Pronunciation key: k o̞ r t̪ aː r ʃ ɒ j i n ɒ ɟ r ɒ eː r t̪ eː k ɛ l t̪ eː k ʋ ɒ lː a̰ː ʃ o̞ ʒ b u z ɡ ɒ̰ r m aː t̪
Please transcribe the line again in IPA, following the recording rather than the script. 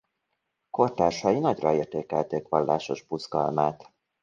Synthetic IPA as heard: k o̞ r t̪ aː r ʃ ɒ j i n ɒ ɟ r ɒ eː r t̪ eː k ɛ l t̪ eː k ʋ ɒ lː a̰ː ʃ o̞ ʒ b u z ɡ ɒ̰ l m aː t̪